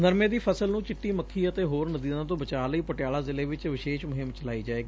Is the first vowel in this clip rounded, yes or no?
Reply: no